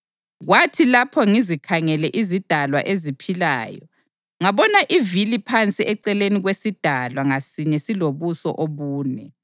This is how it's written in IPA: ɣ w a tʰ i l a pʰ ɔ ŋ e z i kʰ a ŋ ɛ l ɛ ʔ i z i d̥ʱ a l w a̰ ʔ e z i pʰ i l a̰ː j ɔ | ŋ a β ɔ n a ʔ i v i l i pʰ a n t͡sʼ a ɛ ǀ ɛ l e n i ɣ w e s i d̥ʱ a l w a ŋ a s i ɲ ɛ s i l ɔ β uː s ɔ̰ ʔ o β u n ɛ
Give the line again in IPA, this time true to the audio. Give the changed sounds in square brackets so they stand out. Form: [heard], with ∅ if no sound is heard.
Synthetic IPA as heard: ɣ w a tʰ i l a pʰ ɔ ŋ [i] z i kʰ a ŋ ɛ l ɛ ʔ i z i d̥ʱ a l w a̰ ʔ e z i pʰ i l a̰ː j ɔ | ŋ a β ɔ n a ʔ i v i l i pʰ a n t͡sʼ [i] ɛ ǀ ɛ l e n i ɣ w e s i d̥ʱ a l w a ŋ a s i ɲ ɛ s i l [o] β [u] s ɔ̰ ʔ o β [uː] n ɛ